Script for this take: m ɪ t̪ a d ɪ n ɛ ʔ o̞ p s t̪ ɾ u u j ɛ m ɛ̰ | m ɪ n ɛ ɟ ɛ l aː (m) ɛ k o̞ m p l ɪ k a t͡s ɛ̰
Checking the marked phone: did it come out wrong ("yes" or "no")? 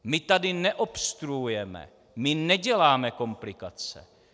no